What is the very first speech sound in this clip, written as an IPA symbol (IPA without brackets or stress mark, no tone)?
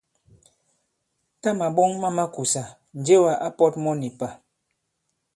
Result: t